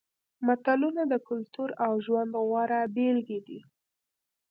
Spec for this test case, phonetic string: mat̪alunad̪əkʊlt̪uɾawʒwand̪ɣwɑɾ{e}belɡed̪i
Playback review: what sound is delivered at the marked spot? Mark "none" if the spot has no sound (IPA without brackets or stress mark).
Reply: a